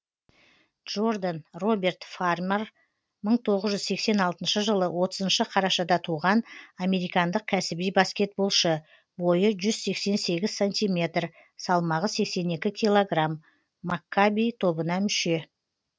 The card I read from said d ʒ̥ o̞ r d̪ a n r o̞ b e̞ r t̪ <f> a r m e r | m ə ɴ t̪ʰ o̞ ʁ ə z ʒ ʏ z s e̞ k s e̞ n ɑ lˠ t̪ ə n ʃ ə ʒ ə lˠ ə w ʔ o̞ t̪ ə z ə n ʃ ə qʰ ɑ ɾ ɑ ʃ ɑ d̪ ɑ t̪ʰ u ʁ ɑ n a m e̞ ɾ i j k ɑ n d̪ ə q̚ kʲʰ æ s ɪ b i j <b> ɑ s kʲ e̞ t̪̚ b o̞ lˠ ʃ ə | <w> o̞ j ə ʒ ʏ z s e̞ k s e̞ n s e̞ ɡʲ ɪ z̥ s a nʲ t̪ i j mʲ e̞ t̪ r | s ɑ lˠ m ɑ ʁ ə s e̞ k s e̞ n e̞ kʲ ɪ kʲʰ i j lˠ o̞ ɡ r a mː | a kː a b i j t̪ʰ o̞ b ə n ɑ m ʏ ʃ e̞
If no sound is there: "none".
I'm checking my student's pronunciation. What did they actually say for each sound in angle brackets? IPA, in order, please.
f, b, b

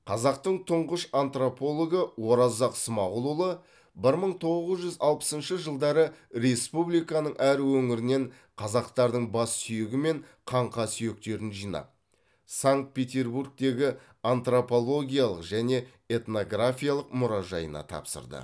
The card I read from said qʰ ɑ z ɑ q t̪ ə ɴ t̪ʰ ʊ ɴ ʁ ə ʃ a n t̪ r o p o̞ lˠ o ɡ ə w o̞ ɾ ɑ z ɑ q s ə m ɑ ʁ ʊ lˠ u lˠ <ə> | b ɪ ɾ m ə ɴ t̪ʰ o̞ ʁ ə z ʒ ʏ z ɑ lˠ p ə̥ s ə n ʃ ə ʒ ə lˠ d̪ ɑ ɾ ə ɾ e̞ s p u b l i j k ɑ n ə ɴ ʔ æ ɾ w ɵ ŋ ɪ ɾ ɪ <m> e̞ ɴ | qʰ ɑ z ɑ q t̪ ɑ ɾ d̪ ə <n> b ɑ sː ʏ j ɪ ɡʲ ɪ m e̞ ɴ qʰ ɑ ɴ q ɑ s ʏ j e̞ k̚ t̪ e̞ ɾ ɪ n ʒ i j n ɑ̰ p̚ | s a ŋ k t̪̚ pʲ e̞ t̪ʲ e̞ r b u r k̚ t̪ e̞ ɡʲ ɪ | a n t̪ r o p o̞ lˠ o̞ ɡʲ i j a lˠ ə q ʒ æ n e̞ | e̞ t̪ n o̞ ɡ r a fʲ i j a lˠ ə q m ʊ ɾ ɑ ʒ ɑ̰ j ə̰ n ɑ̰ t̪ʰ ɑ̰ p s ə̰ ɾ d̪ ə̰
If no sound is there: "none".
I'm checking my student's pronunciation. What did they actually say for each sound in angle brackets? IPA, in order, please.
ə, n, ɴ

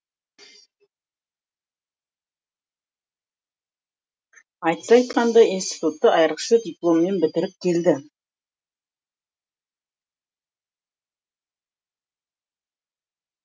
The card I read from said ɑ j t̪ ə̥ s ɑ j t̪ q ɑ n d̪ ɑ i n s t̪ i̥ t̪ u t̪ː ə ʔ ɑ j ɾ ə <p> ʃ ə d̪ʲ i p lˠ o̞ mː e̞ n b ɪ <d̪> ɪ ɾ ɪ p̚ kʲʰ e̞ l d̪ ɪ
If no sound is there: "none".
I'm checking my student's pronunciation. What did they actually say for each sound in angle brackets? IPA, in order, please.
q, t̪

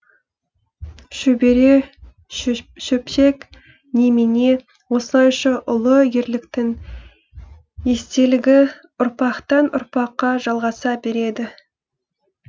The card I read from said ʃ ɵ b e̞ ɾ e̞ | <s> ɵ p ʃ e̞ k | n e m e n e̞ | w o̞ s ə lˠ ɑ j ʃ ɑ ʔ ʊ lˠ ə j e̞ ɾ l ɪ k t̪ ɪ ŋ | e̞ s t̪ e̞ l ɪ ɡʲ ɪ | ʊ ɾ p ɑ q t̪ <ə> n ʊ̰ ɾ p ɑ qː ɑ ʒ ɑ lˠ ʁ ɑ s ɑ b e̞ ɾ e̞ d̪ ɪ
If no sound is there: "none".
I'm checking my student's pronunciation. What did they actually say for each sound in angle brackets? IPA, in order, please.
ʃ, ɑ

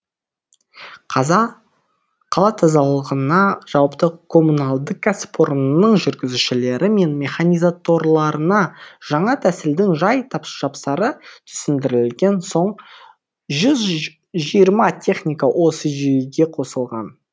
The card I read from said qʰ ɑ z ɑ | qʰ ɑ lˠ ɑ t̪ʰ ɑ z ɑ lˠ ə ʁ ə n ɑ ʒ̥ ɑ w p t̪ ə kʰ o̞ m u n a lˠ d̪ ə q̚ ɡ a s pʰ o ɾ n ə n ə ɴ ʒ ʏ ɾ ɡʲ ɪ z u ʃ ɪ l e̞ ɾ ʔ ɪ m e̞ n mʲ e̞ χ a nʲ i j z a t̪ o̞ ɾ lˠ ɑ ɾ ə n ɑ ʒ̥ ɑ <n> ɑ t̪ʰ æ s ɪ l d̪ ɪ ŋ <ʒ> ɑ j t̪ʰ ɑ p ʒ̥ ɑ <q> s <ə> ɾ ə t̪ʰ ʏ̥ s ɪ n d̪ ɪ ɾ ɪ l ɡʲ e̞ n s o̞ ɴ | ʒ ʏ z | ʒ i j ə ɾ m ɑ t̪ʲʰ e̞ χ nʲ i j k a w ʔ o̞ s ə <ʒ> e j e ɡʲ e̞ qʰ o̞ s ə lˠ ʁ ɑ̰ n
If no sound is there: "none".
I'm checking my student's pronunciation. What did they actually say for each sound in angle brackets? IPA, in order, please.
ɴ, ʒ, p, ɑ, ʒ

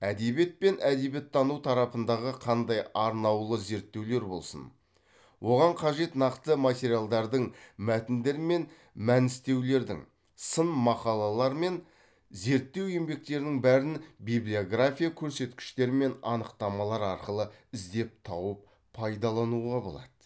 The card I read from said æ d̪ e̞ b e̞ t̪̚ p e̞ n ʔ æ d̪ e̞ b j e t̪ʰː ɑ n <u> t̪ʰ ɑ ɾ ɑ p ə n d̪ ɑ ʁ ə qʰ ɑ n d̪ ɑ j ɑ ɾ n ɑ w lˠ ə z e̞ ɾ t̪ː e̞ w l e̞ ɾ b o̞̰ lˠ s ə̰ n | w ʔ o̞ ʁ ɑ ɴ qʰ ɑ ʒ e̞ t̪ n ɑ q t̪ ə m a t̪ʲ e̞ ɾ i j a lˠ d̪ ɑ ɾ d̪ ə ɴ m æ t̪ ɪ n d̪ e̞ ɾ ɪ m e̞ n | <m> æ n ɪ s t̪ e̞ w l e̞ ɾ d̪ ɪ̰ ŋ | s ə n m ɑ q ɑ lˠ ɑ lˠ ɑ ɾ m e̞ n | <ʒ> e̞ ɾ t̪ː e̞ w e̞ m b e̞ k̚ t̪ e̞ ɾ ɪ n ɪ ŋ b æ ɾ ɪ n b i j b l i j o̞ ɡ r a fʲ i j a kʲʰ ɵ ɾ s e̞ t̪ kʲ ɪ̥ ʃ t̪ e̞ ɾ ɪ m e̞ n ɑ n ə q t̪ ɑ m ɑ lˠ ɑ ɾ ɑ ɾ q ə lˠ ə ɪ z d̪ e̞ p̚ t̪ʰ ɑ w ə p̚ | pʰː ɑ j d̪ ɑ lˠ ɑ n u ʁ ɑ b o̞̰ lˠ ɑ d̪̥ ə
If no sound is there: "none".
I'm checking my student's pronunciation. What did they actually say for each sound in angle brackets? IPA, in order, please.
u, m, z

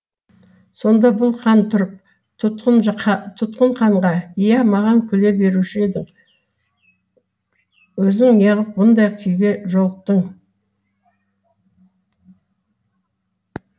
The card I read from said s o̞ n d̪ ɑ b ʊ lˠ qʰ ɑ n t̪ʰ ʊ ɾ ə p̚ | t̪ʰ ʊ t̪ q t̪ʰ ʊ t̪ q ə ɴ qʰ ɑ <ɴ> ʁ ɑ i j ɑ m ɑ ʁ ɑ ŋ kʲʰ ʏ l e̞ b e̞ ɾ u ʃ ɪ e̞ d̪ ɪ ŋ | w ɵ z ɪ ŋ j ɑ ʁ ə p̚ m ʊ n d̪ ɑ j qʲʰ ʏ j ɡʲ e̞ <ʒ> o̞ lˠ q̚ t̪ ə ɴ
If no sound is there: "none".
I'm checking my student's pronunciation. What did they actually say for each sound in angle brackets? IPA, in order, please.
ɴ, ʒ

